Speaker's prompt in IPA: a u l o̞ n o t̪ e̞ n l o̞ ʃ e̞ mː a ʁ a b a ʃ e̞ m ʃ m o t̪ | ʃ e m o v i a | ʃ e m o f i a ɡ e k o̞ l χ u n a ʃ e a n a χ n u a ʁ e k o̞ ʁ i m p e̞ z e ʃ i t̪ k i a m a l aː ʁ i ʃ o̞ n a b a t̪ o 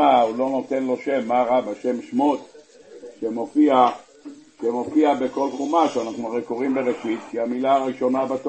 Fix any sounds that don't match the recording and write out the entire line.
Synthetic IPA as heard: a u l o̞ n o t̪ e̞ n l o̞ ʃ e̞ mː a ʁ a b a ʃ e̞ m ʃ m o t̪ | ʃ e m o f i a | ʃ e m o f i a b e k o̞ l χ u m a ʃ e a n a χ n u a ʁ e k o̞ ʁ i m b e̞ ʁ e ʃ i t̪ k i a m i l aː ʁ i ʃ o̞ n a b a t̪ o